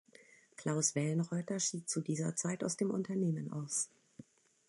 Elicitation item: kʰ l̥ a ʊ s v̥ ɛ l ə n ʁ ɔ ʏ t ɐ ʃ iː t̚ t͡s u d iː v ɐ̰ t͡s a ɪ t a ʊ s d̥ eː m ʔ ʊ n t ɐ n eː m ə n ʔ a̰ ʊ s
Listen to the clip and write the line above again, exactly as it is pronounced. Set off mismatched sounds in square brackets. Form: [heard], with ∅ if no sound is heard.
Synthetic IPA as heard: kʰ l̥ a ʊ s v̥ ɛ l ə n ʁ ɔ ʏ t ɐ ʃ iː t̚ t͡s u d iː [z] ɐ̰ t͡s a ɪ t a ʊ s d̥ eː m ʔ ʊ n t ɐ n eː m ə n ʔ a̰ ʊ s